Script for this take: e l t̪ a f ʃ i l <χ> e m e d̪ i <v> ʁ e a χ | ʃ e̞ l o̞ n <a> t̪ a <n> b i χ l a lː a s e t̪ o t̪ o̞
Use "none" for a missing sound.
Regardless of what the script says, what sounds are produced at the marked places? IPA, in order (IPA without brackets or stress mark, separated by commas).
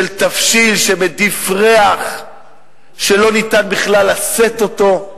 ʃ, f, i, n